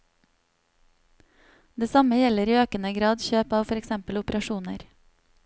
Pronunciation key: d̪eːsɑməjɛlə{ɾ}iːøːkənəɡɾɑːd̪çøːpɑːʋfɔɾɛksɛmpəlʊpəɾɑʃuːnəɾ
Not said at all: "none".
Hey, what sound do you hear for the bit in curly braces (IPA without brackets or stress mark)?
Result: ɾ